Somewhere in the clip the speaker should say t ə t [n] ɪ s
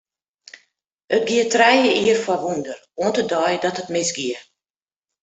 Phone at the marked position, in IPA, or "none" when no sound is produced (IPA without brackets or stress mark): m